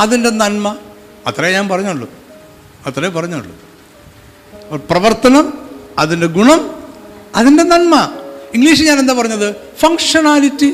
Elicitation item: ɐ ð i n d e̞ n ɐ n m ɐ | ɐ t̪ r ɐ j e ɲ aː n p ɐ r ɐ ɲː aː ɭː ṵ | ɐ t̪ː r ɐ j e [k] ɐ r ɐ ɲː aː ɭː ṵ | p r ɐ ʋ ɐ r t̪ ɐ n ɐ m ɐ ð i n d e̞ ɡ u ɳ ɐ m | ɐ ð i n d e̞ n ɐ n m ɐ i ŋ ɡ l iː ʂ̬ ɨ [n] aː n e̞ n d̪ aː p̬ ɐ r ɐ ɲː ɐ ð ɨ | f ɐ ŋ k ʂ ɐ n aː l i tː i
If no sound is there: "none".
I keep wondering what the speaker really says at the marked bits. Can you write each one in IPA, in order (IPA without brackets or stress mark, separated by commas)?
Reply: p, ɲ